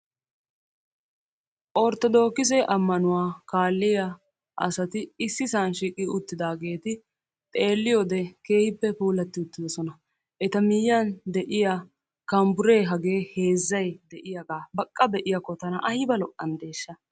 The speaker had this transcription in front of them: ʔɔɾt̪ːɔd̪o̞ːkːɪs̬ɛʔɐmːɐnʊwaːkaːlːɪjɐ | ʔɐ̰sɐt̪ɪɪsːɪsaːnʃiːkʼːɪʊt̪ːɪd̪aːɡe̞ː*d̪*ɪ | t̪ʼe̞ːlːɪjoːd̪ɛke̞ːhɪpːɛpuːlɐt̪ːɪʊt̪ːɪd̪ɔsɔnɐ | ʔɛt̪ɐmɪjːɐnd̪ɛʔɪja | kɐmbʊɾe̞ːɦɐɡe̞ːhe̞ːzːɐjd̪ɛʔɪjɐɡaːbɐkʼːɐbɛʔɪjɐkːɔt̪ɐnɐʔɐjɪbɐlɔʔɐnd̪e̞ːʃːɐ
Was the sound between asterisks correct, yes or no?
no